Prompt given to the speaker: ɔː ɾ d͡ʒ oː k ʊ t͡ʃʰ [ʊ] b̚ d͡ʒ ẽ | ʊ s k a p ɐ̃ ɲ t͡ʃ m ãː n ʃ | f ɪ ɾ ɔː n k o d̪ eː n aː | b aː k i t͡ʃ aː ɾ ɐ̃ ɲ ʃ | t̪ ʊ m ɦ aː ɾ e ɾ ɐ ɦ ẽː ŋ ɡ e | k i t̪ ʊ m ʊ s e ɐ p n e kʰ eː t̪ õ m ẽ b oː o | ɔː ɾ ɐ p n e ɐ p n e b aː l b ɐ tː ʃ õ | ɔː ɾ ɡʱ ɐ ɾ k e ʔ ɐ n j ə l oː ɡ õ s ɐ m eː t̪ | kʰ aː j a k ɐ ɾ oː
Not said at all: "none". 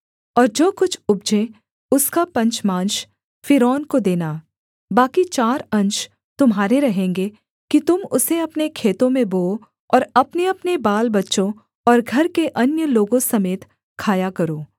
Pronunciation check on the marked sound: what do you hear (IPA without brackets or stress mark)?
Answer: ʊ